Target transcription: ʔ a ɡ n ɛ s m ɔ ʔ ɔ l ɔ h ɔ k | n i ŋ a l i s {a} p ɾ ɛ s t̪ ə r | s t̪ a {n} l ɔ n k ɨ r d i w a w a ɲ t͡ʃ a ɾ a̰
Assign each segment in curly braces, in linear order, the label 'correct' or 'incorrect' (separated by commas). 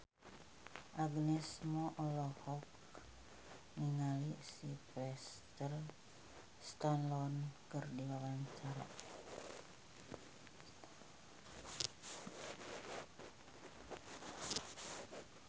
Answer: incorrect, correct